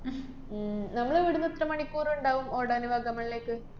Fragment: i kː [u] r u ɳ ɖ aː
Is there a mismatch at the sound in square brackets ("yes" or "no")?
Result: yes